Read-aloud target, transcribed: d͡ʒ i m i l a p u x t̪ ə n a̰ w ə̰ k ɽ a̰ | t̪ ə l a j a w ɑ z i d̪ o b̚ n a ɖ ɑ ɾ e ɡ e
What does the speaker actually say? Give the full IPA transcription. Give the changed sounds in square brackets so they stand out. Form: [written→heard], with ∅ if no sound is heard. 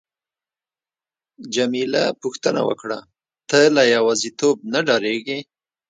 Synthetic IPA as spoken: d͡ʒ [i→a] m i l a p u x t̪ ə n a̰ w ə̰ k ɽ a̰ | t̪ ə l a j a w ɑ z i [d̪→t̪] o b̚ n a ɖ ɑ ɾ e ɡ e